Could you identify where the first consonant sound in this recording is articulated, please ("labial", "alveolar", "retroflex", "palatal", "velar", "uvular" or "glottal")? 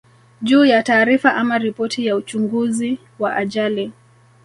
palatal